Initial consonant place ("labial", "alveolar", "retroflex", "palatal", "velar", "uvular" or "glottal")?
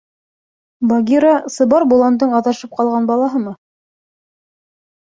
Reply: labial